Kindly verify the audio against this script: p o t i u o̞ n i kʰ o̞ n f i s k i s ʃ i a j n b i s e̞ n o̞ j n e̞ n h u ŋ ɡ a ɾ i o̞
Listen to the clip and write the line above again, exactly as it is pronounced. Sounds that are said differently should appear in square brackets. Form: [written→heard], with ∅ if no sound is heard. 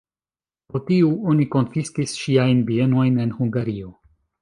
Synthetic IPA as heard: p o t i u o̞ n i [kʰ→k] o̞ n f i s k i s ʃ i a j n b i [s→∅] e̞ n o̞ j n e̞ n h u ŋ ɡ a ɾ i o̞